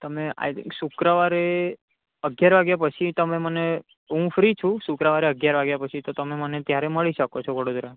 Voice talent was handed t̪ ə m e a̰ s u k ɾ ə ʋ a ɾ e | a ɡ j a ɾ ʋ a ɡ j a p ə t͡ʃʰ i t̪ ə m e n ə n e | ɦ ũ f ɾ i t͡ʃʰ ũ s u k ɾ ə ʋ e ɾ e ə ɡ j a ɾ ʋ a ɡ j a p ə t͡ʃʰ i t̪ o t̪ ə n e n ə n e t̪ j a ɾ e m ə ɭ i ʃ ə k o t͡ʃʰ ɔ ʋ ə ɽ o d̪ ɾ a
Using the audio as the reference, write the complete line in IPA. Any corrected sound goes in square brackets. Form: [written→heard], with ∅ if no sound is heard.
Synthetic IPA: t̪ ə m e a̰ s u k ɾ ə ʋ a ɾ e | [a→ə] ɡ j a ɾ ʋ a ɡ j a p ə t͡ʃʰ i t̪ ə m e [n→m] ə n e | ɦ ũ f ɾ i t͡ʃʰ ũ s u k ɾ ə ʋ [e→a] ɾ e ə ɡ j a ɾ ʋ a ɡ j a p ə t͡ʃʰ i t̪ o t̪ ə [n→m] e [n→m] ə n e t̪ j a ɾ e m ə ɭ i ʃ ə k o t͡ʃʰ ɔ ʋ ə ɽ o d̪ ɾ a